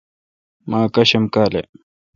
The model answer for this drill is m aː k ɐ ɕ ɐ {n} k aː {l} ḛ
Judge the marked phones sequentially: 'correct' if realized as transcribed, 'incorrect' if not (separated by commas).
incorrect, correct